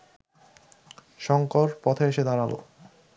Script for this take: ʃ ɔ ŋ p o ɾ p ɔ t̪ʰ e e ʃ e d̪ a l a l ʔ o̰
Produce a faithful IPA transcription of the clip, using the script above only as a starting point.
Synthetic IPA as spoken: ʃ ɔ ŋ k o ɾ p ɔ t̪ʰ e e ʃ e d̪ a ɾ a l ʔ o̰